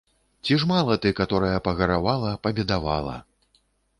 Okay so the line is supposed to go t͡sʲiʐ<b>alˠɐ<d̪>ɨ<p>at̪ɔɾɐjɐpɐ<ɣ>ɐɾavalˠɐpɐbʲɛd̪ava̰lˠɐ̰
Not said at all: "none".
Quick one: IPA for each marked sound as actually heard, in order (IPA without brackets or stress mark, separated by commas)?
m, t̪, k, ɣ